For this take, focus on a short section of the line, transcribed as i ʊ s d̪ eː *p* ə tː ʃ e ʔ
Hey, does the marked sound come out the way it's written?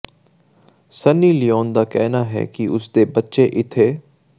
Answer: no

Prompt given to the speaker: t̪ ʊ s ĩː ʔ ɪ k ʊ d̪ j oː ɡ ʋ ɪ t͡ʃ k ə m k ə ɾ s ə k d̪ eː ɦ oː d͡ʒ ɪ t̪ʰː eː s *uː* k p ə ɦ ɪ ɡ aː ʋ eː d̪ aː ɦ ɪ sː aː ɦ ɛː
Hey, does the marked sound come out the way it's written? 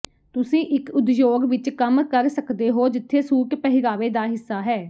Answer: yes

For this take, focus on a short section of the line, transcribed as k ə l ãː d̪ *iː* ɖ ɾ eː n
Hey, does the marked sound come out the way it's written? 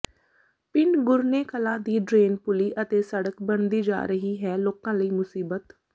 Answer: yes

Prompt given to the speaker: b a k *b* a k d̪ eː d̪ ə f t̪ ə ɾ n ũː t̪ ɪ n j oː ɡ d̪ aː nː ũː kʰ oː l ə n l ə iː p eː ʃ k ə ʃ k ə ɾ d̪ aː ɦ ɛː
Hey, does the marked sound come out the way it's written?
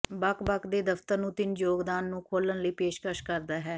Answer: yes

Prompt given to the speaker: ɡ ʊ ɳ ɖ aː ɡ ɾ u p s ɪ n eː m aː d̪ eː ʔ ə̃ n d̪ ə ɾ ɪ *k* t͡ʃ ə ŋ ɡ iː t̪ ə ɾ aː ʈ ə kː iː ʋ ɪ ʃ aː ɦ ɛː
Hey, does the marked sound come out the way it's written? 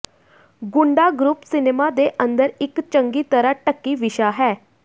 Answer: yes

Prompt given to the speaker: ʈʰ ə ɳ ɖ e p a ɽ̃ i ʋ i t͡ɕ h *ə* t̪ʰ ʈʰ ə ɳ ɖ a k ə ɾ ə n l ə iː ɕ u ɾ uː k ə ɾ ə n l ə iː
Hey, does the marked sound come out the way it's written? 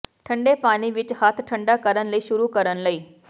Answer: no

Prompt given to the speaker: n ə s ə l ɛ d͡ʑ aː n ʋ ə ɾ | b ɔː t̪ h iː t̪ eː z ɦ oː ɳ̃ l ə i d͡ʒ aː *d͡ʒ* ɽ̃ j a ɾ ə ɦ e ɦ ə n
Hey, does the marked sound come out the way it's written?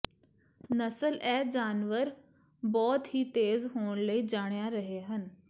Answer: no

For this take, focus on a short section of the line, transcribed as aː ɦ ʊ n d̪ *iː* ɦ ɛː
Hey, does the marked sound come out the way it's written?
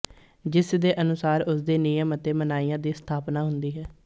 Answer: yes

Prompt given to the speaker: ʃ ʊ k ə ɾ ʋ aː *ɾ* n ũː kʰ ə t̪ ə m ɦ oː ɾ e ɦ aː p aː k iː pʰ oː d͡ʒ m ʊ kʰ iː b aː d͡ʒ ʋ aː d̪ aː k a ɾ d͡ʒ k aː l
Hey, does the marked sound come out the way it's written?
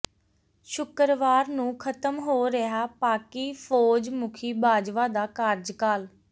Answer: yes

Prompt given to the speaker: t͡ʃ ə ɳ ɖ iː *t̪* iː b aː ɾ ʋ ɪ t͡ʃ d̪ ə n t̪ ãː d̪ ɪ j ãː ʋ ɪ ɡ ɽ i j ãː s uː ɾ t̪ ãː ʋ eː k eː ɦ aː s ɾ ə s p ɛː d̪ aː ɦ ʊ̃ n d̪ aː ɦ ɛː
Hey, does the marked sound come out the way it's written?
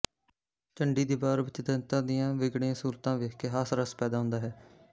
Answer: no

